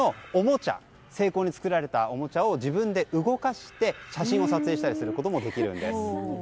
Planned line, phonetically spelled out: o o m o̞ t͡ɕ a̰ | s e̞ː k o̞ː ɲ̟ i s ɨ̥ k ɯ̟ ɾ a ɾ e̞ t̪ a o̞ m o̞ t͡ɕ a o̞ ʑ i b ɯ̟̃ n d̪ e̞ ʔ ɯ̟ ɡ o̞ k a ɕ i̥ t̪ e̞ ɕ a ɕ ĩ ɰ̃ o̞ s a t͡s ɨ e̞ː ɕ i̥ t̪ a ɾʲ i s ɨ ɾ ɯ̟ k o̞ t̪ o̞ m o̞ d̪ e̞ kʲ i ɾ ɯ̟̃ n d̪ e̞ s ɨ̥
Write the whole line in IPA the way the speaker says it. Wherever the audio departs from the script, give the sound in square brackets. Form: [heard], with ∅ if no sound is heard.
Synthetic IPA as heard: o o m o̞ t͡ɕ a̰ | s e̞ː k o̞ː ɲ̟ i [t͡s] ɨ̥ k ɯ̟ ɾ a ɾ e̞ t̪ a o̞ m o̞ t͡ɕ a o̞ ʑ i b ɯ̟̃ n d̪ e̞ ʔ ɯ̟ ɡ o̞ k a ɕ i̥ t̪ e̞ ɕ a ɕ ĩ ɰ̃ o̞ s a t͡s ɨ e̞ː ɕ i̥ t̪ a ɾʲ i s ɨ ɾ ɯ̟ k o̞ t̪ o̞ m o̞ d̪ e̞ kʲ i ɾ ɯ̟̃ n d̪ e̞ s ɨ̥